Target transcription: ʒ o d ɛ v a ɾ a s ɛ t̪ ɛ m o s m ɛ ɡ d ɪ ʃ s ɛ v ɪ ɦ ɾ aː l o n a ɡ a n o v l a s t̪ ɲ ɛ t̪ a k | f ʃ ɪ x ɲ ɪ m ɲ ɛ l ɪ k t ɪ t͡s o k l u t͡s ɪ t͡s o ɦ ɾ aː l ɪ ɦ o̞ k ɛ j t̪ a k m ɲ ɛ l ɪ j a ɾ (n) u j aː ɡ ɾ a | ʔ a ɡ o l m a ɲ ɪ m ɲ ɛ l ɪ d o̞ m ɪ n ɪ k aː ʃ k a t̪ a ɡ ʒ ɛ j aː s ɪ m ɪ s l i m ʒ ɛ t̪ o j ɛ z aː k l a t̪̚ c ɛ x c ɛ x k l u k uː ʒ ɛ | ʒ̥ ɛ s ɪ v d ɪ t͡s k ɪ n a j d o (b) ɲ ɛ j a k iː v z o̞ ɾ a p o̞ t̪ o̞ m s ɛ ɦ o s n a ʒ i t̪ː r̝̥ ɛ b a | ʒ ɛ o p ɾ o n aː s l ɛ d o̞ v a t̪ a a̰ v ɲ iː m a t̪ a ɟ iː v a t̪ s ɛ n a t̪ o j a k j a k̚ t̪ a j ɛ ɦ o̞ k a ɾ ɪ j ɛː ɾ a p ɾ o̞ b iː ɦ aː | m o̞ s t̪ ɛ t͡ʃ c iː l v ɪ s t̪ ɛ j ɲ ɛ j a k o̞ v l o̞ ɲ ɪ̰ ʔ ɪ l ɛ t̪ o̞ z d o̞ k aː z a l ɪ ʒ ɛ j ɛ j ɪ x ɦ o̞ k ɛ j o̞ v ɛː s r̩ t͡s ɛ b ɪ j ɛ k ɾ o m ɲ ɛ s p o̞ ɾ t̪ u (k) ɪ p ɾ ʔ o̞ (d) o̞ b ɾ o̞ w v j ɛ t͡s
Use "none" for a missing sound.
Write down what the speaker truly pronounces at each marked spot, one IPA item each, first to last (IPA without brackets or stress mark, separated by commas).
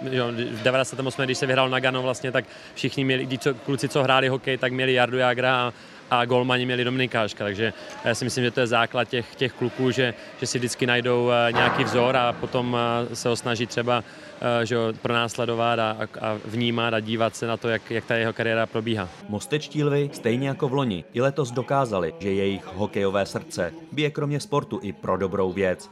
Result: d, w, ʔ, d